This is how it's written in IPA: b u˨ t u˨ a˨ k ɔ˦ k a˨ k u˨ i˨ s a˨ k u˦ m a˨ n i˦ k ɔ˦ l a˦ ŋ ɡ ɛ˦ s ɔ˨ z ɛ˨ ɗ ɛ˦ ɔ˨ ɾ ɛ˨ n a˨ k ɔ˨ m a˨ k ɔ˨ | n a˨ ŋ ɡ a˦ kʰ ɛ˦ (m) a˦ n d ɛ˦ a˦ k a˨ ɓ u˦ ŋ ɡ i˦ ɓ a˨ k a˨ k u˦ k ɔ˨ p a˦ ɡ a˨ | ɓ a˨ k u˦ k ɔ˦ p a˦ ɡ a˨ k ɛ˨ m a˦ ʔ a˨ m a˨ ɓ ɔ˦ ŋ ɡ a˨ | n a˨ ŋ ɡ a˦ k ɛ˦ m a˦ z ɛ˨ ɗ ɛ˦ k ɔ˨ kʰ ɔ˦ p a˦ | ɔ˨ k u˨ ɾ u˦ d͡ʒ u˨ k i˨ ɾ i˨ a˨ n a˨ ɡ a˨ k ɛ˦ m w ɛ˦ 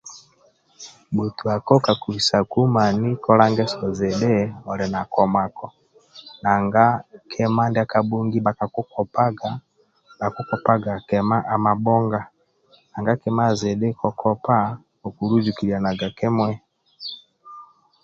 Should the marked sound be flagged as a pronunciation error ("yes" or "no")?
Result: no